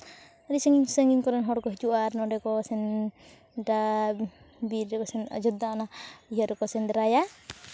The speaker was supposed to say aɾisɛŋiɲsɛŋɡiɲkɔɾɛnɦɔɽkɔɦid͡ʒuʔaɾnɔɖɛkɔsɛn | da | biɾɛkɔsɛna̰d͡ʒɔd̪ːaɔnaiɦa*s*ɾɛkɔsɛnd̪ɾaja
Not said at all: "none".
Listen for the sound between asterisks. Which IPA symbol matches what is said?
none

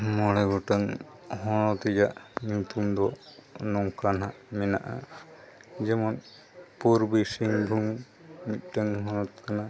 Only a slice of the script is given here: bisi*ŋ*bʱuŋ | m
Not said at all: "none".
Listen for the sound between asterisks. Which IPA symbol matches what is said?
ŋ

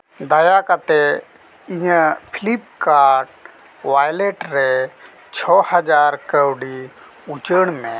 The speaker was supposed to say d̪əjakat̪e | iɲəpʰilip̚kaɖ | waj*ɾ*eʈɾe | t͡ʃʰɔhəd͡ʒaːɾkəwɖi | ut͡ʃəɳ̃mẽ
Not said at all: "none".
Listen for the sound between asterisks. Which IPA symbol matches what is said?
l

